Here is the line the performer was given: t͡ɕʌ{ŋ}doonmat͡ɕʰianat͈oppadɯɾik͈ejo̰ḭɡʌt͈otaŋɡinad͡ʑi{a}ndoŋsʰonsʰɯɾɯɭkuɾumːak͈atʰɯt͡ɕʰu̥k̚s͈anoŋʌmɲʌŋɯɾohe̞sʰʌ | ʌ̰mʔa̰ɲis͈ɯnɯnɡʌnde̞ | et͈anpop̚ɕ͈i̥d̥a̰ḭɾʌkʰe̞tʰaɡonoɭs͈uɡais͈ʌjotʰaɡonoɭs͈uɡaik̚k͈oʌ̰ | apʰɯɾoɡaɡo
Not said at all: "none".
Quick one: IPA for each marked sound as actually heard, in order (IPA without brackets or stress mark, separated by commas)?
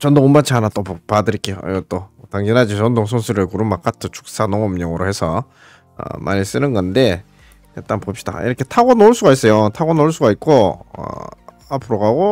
n, ʌ